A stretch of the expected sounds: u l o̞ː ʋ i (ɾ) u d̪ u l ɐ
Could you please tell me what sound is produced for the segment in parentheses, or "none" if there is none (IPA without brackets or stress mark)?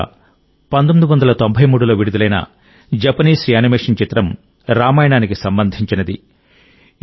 ɽ